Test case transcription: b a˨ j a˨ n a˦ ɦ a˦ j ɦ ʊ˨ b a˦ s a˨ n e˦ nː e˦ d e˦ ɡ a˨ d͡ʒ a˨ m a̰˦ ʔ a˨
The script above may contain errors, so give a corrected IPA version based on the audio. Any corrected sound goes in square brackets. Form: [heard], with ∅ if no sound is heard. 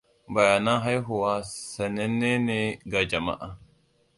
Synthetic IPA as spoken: b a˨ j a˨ n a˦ ɦ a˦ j ɦ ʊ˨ [w] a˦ s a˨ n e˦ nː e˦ [n] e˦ ɡ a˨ d͡ʒ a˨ m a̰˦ ʔ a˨